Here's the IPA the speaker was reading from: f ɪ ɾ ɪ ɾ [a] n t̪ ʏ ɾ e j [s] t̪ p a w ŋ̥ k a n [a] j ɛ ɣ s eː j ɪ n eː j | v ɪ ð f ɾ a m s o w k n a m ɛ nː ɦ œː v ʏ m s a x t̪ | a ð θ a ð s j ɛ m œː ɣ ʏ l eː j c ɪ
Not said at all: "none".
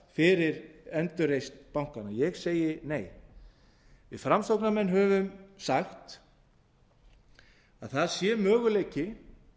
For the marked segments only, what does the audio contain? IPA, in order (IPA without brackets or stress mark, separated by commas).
ɛ, s, a